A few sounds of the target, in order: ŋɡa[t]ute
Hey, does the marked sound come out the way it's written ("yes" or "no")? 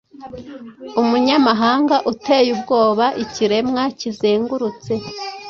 no